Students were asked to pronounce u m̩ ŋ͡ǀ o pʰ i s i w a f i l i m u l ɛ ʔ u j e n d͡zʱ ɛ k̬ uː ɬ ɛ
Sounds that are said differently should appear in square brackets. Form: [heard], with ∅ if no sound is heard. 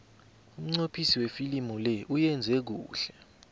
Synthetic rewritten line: u m̩ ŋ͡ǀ o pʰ i s i w [e] f i l i m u l ɛ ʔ u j [ɛ] n d͡zʱ ɛ k̬ uː ɬ ɛ